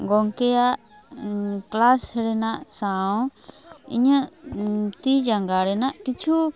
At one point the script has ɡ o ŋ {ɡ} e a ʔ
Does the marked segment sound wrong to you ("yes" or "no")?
yes